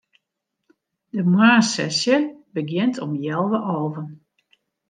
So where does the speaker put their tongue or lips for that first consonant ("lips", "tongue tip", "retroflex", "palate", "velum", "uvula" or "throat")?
tongue tip